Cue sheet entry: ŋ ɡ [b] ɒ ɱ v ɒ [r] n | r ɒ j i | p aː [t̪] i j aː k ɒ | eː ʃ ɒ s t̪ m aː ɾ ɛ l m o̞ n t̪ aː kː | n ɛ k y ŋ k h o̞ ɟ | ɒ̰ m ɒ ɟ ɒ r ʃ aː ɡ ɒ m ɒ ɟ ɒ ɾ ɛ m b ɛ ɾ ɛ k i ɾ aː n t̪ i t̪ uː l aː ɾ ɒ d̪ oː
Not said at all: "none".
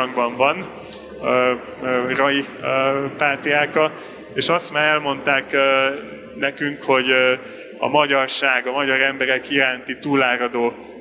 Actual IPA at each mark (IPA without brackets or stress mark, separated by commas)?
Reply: b, none, t̪